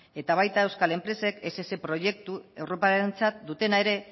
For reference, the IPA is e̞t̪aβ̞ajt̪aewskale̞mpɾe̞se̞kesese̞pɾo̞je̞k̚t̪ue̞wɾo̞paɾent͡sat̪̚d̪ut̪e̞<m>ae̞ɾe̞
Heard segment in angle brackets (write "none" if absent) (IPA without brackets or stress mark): n